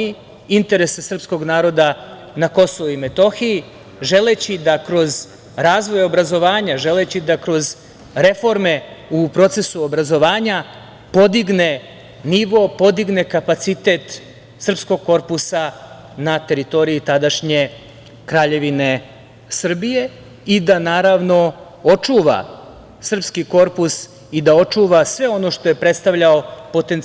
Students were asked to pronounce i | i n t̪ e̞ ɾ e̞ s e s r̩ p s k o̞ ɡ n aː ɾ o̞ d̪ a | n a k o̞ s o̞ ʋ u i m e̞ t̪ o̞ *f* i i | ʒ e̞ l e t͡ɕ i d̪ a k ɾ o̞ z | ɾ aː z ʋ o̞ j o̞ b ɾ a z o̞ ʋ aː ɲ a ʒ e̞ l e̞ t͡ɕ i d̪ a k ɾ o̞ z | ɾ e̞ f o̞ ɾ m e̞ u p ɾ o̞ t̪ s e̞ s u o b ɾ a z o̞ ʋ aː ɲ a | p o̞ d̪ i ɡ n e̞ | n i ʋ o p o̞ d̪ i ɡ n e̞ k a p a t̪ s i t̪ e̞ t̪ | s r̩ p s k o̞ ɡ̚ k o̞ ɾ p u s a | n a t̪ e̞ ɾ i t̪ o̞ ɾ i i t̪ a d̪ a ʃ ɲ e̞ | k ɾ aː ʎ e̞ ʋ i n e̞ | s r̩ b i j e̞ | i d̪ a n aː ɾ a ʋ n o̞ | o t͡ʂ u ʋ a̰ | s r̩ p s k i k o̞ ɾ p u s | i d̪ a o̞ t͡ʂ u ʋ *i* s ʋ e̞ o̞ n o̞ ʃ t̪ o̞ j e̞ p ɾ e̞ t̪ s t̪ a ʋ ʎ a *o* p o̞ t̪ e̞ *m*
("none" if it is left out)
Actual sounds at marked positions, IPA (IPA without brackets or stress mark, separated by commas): x, a, o, n